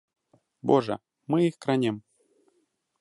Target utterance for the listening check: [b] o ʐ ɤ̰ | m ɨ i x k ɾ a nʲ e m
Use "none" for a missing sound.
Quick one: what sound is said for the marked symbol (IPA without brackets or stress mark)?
b